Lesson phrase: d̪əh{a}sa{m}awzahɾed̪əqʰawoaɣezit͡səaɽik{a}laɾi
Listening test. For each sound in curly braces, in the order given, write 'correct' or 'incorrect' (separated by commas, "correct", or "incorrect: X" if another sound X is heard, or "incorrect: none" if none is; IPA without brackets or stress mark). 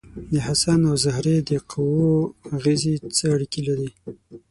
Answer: correct, incorrect: n, incorrect: i